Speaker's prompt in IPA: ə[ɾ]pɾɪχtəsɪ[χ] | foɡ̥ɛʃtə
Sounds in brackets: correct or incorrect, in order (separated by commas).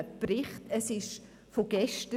incorrect, incorrect